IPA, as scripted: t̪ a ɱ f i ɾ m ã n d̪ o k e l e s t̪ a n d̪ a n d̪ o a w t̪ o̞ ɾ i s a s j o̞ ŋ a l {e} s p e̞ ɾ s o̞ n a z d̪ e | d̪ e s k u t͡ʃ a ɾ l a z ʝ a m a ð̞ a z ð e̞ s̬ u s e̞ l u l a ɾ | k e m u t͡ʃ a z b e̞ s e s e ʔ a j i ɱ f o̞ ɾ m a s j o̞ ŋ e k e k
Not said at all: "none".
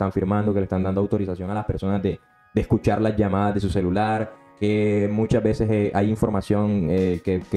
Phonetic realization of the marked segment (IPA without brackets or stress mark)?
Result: a